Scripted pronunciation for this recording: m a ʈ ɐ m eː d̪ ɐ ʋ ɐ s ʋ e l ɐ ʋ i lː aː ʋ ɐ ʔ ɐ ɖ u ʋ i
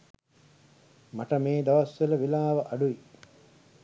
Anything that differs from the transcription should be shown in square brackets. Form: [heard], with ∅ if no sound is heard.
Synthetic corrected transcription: m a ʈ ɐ m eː d̪ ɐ ʋ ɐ s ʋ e l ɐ ʋ i [l] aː ʋ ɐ ʔ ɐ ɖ u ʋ i